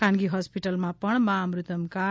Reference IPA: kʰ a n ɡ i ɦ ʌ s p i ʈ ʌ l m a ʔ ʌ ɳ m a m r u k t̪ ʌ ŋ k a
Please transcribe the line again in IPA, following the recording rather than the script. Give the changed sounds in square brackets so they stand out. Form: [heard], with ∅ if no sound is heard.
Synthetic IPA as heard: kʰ a n ɡ i ɦ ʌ s p i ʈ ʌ l m a [p] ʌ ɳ m a m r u [∅] t̪ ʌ [m] k a